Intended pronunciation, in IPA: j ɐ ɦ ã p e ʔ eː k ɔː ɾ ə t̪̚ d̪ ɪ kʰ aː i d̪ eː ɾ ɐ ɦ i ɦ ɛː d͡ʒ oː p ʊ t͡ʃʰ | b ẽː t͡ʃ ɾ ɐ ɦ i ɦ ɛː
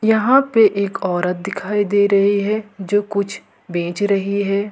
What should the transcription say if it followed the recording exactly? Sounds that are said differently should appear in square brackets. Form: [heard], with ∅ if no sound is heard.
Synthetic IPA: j ɐ ɦ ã p e ʔ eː k ɔː ɾ ə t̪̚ d̪ ɪ kʰ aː i d̪ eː ɾ ɐ ɦ i ɦ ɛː d͡ʒ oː [k] ʊ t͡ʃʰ | b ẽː t͡ʃ ɾ ɐ ɦ i ɦ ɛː

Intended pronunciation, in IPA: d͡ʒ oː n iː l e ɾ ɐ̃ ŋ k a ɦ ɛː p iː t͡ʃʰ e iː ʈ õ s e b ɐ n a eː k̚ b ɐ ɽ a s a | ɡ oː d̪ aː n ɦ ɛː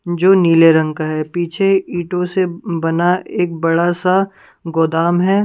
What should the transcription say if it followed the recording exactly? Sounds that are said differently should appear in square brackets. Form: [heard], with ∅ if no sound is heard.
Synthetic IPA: d͡ʒ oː n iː l e ɾ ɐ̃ ŋ k a ɦ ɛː p iː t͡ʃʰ e iː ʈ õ s e b ɐ n a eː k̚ b ɐ ɽ a s a | ɡ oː d̪ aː [m] ɦ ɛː

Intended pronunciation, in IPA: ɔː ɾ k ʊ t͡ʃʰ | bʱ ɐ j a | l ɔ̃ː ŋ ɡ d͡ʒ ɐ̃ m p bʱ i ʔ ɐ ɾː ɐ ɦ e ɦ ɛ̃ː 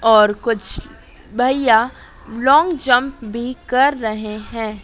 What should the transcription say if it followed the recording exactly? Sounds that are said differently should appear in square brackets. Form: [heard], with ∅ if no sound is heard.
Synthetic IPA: ɔː ɾ k ʊ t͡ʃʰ | bʱ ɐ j a | l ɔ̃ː ŋ ɡ d͡ʒ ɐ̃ m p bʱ i [k] ɐ ɾː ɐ ɦ e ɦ ɛ̃ː

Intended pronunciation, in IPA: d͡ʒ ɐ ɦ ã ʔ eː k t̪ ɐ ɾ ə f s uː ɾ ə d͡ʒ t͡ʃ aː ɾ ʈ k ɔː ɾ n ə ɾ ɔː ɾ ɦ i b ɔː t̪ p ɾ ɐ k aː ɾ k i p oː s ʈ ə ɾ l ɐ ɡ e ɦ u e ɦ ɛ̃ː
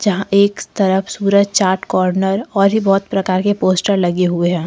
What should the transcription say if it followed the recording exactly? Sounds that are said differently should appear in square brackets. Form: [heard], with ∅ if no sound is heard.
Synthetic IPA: d͡ʒ ɐ ɦ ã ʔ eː k t̪ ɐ ɾ ə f s uː ɾ ə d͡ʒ t͡ʃ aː ɾ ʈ k ɔː ɾ n ə ɾ ɔː ɾ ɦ i b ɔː t̪ p ɾ ɐ k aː ɾ k [e] p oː s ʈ ə ɾ l ɐ ɡ e ɦ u e ɦ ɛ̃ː

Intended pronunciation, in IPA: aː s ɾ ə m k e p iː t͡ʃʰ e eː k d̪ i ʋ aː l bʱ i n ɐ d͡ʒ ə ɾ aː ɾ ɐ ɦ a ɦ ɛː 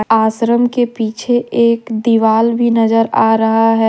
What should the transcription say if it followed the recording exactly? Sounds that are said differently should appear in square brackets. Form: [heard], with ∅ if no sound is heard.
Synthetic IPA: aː s ɾ ə m k e p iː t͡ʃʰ e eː k d̪ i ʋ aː l bʱ i n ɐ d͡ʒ ə ɾ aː ɾ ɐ ɦ a ɦ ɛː

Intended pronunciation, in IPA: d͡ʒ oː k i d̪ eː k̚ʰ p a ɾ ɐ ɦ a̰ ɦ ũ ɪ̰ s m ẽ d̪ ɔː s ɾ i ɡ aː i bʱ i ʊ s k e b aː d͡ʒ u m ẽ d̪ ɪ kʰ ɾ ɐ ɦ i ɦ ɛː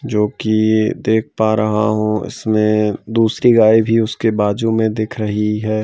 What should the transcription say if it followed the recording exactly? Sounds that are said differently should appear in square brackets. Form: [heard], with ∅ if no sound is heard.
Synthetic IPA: d͡ʒ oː k i d̪ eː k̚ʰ p a ɾ ɐ ɦ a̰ ɦ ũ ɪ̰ s m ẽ d̪ [uː] s ɾ i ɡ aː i bʱ i ʊ s k e b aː d͡ʒ u m ẽ d̪ ɪ kʰ ɾ ɐ ɦ i ɦ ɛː

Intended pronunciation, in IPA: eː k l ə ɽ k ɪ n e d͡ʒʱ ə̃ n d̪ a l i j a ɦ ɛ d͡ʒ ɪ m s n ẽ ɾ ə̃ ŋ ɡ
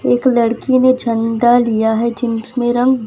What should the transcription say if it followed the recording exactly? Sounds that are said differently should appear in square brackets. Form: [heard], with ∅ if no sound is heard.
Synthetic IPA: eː k l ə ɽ k [i] n e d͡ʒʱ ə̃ n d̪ a l i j a ɦ ɛ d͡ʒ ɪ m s [m] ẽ ɾ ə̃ ŋ ɡ

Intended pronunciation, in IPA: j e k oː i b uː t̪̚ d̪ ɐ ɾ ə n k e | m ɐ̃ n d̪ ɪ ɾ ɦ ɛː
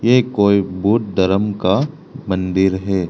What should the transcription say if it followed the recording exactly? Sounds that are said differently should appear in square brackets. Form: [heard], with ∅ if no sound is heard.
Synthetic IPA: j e k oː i b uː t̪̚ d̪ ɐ ɾ ə [m] k [a] | m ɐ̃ n d̪ ɪ ɾ ɦ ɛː

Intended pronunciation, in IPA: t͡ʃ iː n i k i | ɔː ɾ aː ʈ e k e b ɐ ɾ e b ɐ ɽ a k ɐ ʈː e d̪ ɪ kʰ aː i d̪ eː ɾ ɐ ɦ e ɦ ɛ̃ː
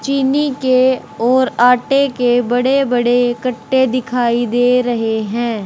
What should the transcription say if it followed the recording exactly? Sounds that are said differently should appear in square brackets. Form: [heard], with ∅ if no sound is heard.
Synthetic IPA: t͡ʃ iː n i k [e] | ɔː ɾ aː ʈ e k e b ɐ [ɽ] e b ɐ ɽ [e] k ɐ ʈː e d̪ ɪ kʰ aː i d̪ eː ɾ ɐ ɦ e ɦ ɛ̃ː

